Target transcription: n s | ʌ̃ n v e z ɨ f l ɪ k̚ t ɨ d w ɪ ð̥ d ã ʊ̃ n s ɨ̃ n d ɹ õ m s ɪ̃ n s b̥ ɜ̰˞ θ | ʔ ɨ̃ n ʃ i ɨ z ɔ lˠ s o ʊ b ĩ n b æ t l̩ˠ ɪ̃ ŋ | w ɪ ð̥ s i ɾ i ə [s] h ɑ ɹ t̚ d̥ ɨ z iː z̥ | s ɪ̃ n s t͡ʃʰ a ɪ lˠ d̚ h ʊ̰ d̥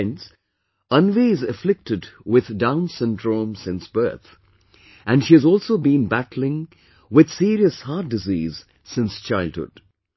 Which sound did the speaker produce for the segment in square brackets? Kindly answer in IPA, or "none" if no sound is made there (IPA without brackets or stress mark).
s